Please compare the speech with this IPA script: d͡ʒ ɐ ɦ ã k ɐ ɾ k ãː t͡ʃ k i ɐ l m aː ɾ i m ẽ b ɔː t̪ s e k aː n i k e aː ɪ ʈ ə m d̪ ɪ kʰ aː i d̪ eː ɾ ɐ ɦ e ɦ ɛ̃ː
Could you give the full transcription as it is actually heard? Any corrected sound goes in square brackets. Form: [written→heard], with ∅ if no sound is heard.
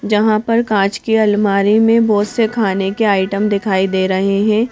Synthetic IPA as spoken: d͡ʒ ɐ ɦ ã [k→p] ɐ ɾ k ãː t͡ʃ k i ɐ l m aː ɾ i m ẽ b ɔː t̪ s e [k→kʰ] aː n [i→e] k e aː ɪ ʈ ə m d̪ ɪ kʰ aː i d̪ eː ɾ ɐ ɦ e ɦ ɛ̃ː